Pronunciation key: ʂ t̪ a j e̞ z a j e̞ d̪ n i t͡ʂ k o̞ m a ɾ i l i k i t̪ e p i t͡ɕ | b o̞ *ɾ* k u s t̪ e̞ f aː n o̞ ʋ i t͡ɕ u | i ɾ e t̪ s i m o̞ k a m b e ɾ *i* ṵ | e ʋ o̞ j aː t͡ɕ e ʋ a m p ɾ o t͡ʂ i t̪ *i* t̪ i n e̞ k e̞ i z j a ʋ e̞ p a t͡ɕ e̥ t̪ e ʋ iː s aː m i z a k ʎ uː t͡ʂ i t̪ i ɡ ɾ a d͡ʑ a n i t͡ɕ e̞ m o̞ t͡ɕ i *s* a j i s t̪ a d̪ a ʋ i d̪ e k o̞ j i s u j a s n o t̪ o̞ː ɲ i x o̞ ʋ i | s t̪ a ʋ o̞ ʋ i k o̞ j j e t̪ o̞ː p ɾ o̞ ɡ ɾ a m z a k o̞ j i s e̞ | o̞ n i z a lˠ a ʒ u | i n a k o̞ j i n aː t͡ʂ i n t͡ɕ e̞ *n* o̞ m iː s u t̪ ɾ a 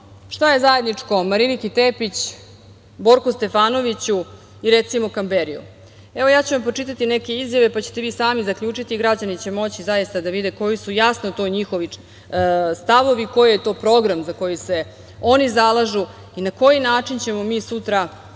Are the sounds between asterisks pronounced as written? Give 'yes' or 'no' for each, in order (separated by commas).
yes, yes, no, no, no